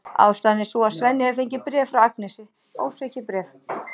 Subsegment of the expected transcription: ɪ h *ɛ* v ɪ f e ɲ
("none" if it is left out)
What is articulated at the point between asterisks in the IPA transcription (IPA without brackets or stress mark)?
ɛ